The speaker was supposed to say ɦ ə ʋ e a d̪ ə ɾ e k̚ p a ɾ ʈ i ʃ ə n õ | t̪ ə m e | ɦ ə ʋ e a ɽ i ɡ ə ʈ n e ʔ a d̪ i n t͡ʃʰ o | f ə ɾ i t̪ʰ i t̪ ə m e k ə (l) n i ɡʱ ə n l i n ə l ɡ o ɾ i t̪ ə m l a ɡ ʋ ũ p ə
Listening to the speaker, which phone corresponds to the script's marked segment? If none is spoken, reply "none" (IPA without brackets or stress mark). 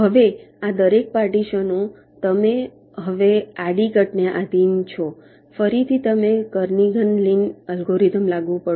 ɾ